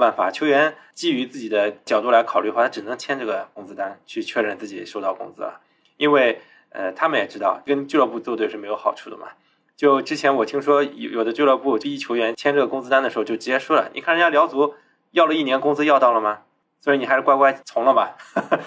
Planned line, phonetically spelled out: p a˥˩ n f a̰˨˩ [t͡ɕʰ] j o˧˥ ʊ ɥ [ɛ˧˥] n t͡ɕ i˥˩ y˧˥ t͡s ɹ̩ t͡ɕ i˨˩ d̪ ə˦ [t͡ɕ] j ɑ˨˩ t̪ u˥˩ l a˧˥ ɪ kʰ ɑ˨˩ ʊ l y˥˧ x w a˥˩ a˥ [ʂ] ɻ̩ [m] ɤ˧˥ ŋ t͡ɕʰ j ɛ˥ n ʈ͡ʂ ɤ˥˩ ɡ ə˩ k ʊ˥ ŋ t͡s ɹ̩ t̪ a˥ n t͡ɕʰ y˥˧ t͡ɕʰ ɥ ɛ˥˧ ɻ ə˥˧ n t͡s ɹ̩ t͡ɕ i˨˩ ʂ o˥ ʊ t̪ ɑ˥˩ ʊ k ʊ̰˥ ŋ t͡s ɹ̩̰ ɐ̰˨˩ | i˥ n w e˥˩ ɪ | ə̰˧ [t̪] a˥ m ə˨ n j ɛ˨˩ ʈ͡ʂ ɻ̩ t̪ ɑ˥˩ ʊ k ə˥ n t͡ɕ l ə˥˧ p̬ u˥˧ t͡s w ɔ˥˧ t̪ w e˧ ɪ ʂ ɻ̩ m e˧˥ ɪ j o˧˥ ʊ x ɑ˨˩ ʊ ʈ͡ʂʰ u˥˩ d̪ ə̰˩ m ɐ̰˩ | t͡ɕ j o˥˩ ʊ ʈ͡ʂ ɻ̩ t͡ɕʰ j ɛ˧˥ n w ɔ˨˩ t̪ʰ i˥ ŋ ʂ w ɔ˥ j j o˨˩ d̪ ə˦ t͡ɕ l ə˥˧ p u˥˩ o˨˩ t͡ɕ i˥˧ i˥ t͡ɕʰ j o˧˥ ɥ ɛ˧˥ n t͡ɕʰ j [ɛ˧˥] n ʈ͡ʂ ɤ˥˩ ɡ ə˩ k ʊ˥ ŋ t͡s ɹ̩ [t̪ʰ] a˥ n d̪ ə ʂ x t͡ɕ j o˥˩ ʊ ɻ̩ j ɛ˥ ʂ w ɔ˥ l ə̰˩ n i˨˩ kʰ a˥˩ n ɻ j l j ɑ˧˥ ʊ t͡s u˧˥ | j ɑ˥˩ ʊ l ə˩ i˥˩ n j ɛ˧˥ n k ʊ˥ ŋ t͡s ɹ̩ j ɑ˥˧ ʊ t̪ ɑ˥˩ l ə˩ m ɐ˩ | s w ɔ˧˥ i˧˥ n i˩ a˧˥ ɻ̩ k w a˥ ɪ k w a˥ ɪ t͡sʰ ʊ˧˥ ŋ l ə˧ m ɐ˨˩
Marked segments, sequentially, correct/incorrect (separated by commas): correct, correct, correct, incorrect, incorrect, incorrect, incorrect, incorrect